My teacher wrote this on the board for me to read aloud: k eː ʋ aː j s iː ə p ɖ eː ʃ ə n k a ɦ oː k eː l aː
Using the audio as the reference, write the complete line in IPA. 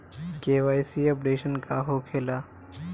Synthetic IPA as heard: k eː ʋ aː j s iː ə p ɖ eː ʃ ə n k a ɦ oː kʰ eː l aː